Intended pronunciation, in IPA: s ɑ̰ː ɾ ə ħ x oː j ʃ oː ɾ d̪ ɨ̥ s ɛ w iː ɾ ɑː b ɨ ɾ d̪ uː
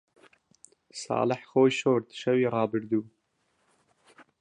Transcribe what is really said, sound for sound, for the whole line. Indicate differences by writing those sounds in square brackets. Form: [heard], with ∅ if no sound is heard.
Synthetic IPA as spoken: s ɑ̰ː [l] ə ħ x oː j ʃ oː ɾ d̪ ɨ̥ [ʃ] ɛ w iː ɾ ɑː b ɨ ɾ d̪ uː